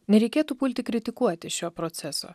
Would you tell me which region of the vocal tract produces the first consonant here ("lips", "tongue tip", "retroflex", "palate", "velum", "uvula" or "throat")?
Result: tongue tip